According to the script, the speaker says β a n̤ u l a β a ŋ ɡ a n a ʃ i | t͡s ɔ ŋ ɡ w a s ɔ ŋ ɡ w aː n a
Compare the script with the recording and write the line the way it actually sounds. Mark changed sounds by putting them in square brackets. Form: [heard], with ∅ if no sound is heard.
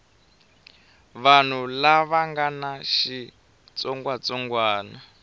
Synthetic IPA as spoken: β a n̤ u l a β a ŋ ɡ a n a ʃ i | t͡s ɔ ŋ ɡ w a [t͡s] ɔ ŋ ɡ w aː n a